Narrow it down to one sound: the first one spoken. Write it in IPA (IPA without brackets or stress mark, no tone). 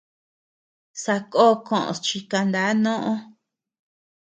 s